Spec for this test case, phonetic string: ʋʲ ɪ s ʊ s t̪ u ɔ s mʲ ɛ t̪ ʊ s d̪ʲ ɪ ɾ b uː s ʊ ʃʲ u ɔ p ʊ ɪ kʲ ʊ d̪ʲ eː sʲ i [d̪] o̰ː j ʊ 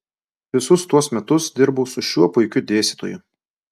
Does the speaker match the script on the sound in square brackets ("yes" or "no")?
no